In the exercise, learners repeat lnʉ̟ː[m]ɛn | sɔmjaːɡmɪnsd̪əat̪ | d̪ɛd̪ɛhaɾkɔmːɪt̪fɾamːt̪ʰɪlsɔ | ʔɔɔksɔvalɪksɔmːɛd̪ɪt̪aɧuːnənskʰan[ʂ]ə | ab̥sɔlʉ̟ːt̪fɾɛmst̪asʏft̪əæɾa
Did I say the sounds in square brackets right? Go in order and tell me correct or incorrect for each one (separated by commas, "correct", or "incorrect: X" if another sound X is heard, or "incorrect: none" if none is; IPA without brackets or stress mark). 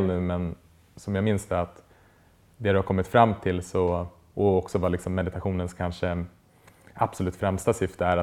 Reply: correct, correct